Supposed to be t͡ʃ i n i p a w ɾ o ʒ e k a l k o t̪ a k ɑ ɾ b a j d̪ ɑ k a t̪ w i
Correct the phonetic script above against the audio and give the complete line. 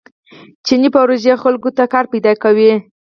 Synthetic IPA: t͡ʃ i n i p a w ɾ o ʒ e x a l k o t̪ a k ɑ ɾ p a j d̪ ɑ k a w i